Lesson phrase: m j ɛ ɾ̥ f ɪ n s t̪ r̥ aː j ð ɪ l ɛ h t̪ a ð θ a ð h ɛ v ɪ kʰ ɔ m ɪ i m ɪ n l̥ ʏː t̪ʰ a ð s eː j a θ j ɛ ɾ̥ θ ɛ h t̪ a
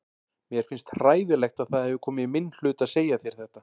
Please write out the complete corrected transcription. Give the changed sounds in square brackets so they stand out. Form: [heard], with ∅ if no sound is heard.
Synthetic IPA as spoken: m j ɛ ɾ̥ f ɪ n s t̪ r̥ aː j ð ɪ l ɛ [x] t̪ a ð θ a ð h ɛ v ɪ kʰ [ɔː] m ɪ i m ɪ n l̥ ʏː [t̪] a ð s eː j a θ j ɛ ɾ̥ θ ɛ h t̪ a